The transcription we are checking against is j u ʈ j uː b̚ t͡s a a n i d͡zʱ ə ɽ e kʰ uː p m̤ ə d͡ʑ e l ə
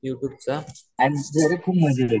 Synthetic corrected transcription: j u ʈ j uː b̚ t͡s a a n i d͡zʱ ə ɾ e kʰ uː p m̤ ə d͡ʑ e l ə